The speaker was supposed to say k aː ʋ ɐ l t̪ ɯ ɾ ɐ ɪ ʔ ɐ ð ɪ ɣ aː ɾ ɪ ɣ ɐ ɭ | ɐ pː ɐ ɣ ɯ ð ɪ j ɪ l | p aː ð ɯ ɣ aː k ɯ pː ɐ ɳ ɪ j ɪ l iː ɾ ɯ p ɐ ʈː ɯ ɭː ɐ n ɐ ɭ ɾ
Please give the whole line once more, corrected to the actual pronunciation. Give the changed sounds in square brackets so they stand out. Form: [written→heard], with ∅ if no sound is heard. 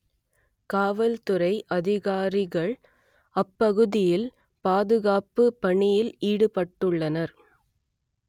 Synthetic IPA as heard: k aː ʋ ɐ l t̪ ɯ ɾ ɐ ɪ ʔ ɐ ð ɪ ɣ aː ɾ ɪ ɣ ɐ ɭ | ɐ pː ɐ ɣ ɯ ð ɪ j ɪ l | p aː ð ɯ ɣ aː [k→p] ɯ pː ɐ ɳ ɪ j ɪ l iː [ɾ→ɽ] ɯ p ɐ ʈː ɯ ɭː ɐ n ɐ [ɭ→∅] ɾ